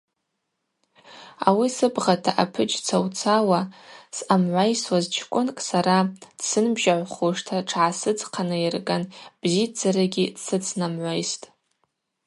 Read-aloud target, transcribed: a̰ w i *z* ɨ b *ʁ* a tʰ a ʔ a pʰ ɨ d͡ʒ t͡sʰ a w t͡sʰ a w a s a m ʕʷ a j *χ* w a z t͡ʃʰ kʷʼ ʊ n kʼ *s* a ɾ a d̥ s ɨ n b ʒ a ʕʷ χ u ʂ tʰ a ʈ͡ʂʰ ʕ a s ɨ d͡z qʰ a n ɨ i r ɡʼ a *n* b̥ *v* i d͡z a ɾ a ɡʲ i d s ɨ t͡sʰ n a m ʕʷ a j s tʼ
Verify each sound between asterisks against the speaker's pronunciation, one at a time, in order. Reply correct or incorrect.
incorrect: s, correct, incorrect: s, correct, correct, incorrect: z

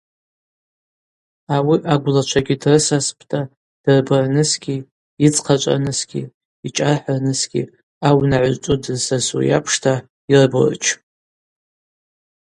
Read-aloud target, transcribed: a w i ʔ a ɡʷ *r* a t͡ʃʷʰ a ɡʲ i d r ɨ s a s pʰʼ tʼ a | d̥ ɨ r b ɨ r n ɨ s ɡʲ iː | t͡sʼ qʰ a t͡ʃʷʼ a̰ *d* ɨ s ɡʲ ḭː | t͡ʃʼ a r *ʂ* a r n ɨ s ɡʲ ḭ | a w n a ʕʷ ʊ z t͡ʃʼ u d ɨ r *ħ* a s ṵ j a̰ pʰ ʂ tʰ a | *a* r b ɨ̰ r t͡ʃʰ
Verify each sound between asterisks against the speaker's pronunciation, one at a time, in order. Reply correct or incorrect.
incorrect: l, incorrect: n, incorrect: ħ, incorrect: s, incorrect: i

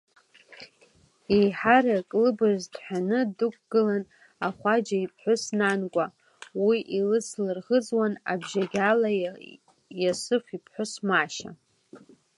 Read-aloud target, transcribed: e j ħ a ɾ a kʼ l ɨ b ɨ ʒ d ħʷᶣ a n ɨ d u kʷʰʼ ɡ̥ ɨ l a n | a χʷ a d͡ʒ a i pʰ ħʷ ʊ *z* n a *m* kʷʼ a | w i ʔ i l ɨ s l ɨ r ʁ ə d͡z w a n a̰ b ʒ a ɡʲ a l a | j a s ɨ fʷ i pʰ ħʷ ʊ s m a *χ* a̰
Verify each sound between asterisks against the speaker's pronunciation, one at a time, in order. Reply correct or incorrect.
incorrect: s, incorrect: n, incorrect: ʃ

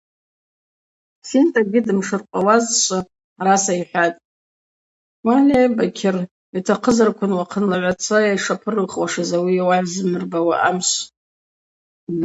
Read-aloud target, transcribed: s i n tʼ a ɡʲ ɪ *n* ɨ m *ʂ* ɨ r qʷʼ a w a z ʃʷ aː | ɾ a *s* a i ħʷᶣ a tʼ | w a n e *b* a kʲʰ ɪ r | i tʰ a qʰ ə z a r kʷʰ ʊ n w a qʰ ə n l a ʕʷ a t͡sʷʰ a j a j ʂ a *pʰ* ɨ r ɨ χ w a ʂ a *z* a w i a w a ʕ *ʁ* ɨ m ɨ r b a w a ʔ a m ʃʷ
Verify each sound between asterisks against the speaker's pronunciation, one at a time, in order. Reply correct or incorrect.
incorrect: d, correct, correct, correct, correct, correct, incorrect: z

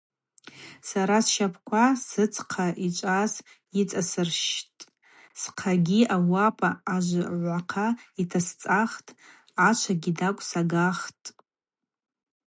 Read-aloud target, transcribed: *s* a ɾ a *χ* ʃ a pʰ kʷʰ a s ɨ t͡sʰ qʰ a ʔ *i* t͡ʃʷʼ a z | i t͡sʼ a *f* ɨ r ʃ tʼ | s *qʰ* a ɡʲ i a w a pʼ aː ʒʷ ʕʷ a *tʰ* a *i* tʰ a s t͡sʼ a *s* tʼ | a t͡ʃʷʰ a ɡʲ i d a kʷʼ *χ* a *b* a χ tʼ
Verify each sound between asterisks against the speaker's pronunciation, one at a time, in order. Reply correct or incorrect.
correct, incorrect: s, correct, incorrect: s, correct, incorrect: qʰ, correct, incorrect: χ, incorrect: s, incorrect: ɡ

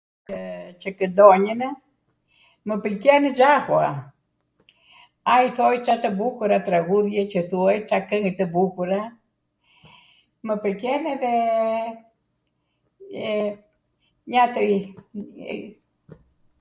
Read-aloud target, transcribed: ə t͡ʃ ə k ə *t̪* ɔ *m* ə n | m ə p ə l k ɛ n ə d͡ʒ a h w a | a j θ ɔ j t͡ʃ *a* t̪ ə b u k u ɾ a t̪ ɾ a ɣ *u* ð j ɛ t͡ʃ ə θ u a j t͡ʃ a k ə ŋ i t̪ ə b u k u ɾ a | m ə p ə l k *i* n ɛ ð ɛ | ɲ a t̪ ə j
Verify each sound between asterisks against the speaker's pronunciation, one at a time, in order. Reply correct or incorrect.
incorrect: d̪, incorrect: ɲ, correct, correct, incorrect: ɛ

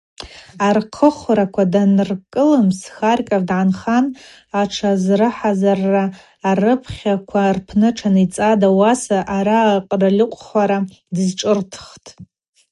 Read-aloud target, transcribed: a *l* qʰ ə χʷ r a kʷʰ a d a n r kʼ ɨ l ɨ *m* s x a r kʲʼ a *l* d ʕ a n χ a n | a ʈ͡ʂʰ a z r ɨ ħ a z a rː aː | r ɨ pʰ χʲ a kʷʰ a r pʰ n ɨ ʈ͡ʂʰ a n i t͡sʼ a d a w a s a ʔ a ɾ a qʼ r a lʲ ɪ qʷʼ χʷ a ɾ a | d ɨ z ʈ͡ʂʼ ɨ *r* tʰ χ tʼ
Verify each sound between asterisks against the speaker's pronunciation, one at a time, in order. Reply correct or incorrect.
incorrect: r, correct, incorrect: r, correct

